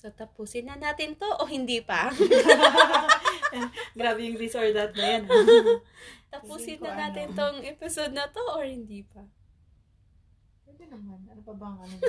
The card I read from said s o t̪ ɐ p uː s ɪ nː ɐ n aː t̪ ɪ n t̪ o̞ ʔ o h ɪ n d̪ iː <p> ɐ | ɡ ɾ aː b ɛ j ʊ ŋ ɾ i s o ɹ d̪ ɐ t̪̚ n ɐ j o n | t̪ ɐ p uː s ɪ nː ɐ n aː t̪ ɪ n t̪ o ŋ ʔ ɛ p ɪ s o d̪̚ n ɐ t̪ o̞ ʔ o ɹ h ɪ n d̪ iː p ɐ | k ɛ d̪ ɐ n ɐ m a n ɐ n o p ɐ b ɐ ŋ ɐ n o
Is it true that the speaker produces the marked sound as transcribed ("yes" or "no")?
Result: yes